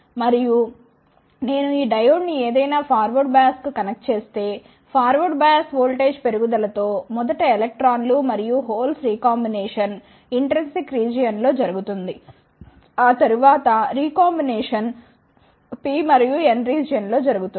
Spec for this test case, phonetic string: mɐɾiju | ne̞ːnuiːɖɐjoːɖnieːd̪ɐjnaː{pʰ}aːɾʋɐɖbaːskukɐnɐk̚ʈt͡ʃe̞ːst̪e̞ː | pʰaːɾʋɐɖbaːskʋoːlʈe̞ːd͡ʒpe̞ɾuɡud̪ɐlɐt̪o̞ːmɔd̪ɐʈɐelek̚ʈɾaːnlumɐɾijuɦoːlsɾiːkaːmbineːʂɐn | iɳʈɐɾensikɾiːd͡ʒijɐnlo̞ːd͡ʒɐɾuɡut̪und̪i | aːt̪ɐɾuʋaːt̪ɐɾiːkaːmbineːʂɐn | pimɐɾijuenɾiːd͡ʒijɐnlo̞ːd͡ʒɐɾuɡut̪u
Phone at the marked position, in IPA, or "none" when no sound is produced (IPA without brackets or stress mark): pʰ